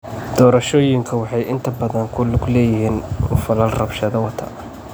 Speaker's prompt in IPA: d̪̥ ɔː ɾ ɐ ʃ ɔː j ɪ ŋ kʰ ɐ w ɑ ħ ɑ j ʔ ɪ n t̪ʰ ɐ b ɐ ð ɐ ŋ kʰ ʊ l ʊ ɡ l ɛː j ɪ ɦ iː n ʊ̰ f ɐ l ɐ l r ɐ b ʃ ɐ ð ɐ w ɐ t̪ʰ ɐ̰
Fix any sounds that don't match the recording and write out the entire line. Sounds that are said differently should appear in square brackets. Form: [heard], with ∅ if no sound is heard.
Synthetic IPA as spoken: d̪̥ ɔː ɾ ɐ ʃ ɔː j ɪ ŋ kʰ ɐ w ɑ ħ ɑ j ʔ ɪ n t̪ʰ ɐ b ɐ ð ɐ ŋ kʰ ʊ l ʊ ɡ l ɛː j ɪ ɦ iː n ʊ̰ f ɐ l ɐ l r ɐ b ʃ ɐ ð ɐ w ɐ t̪ʰ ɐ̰